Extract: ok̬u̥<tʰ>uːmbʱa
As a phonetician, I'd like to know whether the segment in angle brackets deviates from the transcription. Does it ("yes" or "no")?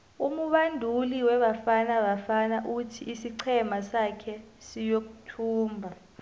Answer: no